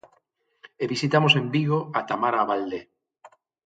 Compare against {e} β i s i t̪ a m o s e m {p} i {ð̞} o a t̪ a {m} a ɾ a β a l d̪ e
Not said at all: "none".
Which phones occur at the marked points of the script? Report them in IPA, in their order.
e, b, ɣ̞, m

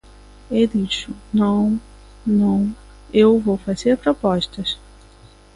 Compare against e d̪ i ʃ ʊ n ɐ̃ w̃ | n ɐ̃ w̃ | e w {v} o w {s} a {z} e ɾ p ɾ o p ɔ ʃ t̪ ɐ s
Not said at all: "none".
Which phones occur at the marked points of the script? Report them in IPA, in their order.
v, f, z

